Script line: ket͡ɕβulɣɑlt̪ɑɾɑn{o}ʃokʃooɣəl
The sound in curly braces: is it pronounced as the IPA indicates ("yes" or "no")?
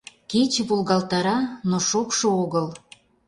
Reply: yes